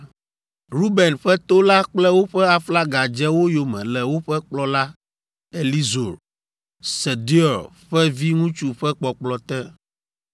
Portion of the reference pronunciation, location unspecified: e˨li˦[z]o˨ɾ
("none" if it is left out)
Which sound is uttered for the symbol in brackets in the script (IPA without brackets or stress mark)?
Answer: z